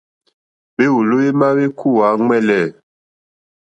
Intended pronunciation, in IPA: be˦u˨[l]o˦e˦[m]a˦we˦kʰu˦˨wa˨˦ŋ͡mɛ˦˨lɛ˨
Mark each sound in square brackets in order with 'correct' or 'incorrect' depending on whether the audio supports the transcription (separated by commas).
correct, correct